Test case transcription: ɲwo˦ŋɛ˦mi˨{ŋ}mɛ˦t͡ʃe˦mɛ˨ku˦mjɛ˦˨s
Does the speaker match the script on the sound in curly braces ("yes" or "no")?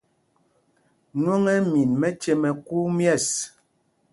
no